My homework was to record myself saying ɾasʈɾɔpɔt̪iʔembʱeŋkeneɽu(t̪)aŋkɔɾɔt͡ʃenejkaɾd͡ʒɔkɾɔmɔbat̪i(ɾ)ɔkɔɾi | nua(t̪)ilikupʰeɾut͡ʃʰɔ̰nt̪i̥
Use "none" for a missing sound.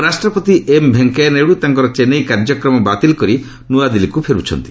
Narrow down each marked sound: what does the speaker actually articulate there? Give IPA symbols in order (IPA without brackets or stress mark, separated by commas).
t̪, l, d̪